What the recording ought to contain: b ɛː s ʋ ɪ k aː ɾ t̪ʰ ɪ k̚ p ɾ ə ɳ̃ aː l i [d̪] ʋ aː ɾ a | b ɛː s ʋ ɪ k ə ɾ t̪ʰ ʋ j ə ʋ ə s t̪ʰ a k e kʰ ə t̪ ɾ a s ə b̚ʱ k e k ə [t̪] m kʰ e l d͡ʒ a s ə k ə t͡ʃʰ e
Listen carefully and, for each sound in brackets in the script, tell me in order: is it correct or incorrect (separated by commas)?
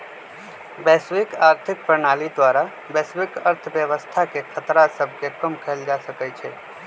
correct, incorrect